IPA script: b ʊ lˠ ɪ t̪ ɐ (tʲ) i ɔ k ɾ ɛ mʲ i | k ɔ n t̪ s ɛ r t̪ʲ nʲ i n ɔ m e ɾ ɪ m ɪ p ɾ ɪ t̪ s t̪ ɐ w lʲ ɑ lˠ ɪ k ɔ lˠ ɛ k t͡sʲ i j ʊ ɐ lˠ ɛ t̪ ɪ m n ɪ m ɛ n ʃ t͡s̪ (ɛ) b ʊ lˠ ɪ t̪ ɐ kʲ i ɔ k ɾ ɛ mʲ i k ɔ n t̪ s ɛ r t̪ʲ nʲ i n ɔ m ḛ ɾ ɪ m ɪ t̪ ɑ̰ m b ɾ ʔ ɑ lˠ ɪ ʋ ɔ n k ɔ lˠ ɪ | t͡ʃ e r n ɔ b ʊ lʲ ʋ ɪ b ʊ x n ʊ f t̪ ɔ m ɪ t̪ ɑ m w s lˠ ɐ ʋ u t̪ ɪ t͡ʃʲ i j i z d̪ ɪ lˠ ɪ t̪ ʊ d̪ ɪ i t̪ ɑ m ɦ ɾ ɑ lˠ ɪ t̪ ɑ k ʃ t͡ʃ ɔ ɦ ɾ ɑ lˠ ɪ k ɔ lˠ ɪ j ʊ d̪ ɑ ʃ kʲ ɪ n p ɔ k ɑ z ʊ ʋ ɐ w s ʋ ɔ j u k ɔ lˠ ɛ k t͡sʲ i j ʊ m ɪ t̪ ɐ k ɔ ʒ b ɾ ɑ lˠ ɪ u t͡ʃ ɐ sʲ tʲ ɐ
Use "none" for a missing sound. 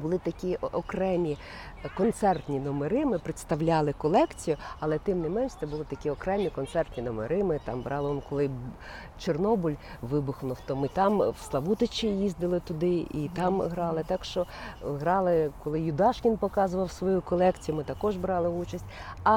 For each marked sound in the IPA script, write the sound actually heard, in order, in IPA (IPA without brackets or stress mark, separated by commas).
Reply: kʲ, ɛ